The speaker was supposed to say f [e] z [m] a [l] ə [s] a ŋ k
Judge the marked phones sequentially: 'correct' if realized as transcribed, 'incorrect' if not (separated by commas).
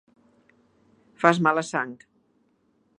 incorrect, correct, correct, correct